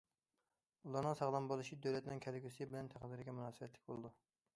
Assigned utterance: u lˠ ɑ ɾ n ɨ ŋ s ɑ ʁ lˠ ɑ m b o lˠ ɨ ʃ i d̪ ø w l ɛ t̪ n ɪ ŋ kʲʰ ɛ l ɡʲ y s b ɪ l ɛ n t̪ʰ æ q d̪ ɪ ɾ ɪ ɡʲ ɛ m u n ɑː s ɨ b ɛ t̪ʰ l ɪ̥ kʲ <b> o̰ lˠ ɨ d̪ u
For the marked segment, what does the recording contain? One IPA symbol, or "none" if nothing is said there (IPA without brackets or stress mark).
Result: b